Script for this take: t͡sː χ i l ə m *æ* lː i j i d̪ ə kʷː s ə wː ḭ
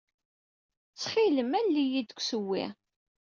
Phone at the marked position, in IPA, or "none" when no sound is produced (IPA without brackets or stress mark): æ